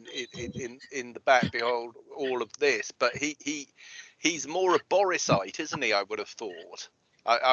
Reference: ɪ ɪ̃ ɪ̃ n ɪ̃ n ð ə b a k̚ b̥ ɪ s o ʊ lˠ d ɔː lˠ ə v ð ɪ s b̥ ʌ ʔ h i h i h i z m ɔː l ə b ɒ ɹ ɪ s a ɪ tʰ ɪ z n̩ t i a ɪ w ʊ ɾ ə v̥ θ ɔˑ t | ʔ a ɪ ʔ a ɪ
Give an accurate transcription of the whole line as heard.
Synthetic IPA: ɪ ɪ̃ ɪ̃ n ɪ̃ n ð ə b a k̚ b̥ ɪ h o ʊ lˠ d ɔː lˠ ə v ð ɪ s b̥ ʌ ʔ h i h i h i z m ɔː ɹ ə b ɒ ɹ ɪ s a ɪ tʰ ɪ z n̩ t i a ɪ w ʊ ɾ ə v̥ θ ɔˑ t | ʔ a ɪ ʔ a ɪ